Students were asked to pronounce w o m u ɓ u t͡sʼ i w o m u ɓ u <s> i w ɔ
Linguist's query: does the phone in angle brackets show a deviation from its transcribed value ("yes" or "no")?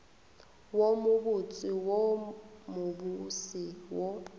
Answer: no